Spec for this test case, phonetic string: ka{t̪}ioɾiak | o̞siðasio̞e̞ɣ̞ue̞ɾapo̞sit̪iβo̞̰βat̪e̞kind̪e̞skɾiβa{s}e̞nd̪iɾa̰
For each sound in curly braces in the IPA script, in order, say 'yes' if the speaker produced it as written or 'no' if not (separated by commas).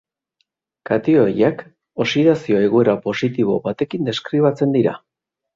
yes, no